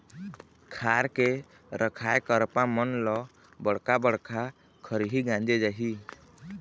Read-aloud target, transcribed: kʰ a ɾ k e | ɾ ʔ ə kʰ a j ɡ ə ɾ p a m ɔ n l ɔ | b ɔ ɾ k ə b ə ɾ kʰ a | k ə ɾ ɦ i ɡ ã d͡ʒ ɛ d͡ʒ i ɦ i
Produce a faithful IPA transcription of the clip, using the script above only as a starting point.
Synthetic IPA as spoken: kʰ a ɾ k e | ɾ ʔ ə kʰ a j k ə ɾ p a m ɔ n l ɔ | b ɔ ɽ k a b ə ɽ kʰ a | kʰ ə ɾ ɦ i ɡ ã d͡ʒ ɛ d͡ʒ a ɦ i